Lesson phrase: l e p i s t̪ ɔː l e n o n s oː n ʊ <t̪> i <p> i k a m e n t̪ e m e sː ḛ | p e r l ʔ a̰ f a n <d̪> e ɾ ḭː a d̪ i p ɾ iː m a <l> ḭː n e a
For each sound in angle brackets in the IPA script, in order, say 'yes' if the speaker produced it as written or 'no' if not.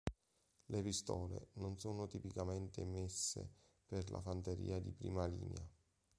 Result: yes, yes, no, yes

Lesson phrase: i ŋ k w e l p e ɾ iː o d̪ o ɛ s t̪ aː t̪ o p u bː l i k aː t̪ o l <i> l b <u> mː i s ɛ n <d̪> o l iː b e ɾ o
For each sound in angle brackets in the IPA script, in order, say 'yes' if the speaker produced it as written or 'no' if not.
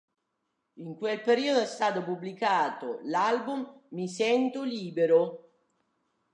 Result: no, yes, no

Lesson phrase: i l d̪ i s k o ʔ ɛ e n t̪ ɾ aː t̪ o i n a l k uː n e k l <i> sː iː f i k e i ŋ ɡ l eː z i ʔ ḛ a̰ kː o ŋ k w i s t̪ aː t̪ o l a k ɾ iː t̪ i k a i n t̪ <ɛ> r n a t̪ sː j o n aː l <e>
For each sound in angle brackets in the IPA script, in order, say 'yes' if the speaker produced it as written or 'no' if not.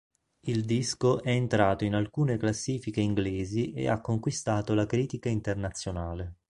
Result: no, no, yes

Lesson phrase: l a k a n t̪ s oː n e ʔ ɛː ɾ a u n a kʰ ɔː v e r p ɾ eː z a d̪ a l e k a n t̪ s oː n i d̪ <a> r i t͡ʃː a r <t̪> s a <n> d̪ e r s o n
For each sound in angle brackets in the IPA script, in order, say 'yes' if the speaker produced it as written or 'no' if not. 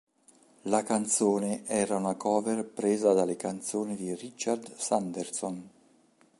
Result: no, no, yes

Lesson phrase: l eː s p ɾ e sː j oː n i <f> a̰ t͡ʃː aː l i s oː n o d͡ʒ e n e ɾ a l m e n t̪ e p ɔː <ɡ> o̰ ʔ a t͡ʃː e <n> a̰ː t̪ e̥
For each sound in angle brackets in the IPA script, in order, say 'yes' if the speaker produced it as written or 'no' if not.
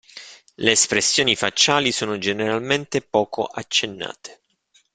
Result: yes, no, no

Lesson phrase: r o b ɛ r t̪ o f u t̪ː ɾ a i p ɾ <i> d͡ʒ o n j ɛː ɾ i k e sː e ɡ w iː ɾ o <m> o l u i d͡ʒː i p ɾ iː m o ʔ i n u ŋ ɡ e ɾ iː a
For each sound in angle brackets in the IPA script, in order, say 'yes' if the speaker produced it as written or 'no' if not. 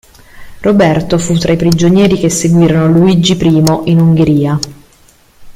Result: yes, no

